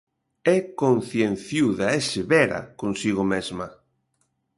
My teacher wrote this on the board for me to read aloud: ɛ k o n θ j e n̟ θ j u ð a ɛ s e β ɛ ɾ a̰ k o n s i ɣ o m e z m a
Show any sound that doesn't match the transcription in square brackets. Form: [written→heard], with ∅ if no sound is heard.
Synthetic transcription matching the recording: ɛ k o n θ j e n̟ θ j u ð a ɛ s e β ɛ ɾ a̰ k o n s i ɣ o m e z m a